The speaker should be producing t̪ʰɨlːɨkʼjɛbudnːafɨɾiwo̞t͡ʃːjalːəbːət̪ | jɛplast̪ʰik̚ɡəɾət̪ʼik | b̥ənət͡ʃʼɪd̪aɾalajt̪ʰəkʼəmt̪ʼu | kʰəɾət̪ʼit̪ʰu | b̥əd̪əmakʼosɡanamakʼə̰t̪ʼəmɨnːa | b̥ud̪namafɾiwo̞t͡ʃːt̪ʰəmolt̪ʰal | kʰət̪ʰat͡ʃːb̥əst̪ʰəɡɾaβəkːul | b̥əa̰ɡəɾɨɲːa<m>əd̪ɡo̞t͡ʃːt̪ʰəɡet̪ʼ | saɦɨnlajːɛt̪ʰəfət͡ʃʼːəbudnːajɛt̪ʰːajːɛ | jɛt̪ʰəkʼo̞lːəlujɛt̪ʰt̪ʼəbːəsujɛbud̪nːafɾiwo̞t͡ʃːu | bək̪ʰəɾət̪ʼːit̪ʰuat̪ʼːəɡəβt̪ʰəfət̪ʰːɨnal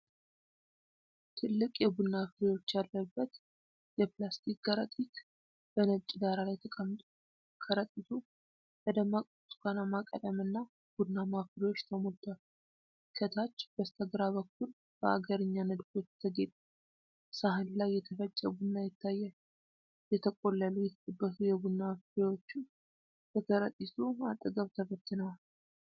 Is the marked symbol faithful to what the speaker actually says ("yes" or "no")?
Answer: no